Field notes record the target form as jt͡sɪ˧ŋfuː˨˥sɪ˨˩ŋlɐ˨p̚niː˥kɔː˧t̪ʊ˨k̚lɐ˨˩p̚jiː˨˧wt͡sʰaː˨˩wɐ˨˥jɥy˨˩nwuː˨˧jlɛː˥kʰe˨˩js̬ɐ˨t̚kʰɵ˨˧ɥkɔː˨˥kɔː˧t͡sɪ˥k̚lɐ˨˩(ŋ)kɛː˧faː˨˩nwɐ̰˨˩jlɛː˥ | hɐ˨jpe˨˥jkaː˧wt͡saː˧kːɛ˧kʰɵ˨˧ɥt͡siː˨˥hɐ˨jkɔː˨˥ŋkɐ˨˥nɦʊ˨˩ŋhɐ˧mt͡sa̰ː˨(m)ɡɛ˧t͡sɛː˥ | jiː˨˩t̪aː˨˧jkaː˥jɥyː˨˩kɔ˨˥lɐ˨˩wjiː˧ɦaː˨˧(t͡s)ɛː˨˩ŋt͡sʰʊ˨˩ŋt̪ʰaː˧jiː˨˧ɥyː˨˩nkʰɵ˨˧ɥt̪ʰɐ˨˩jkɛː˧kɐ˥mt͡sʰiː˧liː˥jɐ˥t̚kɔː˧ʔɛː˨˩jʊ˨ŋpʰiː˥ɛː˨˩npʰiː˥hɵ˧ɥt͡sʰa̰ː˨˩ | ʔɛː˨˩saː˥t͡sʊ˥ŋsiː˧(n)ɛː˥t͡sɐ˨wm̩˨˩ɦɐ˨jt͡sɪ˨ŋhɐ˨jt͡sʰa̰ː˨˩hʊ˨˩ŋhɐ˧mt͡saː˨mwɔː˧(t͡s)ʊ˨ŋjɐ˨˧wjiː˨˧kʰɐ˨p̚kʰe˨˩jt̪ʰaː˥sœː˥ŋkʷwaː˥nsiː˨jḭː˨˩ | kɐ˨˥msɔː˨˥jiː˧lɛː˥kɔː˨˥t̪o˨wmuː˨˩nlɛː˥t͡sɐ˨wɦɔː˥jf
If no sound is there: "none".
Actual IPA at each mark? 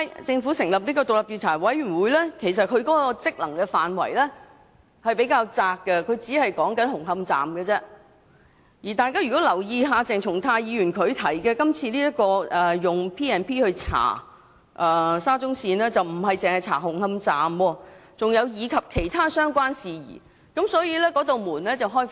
ŋ, m, t͡s, n, t͡s

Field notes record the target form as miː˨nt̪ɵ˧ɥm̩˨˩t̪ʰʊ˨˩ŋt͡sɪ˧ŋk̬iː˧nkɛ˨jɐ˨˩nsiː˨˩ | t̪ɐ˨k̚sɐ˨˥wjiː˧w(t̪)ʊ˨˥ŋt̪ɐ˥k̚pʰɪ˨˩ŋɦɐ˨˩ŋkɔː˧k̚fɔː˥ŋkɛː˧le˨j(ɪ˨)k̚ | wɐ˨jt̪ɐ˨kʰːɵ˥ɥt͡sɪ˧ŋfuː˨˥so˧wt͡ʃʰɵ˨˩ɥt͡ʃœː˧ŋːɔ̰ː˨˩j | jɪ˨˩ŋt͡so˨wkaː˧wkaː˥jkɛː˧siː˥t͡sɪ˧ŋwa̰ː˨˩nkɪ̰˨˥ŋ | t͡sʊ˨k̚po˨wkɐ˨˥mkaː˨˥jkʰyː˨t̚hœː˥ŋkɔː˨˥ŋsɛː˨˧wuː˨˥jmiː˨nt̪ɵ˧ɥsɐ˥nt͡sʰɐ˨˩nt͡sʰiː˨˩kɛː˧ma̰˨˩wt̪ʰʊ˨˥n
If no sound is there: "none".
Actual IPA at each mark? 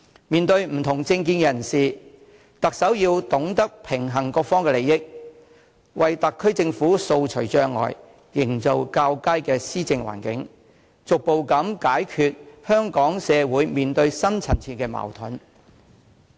t̪, ɪ˥

